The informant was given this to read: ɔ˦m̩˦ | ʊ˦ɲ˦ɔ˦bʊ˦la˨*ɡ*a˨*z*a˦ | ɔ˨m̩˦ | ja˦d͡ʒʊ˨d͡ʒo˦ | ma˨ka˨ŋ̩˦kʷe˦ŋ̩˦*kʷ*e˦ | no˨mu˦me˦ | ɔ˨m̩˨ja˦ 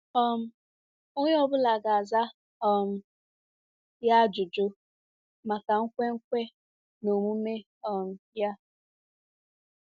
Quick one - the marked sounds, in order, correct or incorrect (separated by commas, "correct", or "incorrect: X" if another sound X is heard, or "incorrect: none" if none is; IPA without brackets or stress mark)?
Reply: correct, correct, correct